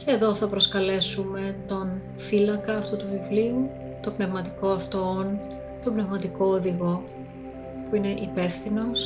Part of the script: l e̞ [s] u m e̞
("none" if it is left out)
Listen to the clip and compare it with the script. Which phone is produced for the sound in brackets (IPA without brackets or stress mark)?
s